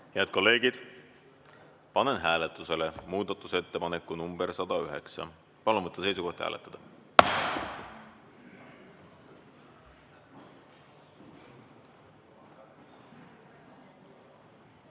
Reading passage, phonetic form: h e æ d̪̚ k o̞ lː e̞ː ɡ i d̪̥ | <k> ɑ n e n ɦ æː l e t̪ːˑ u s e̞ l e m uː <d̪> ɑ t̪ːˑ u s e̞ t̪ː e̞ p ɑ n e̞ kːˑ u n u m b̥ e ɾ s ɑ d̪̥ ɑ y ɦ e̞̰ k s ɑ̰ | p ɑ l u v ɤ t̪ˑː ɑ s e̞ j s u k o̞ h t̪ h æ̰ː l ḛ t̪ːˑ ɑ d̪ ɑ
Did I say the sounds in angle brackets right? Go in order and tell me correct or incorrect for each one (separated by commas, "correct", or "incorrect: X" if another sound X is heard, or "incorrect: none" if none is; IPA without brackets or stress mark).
incorrect: p, correct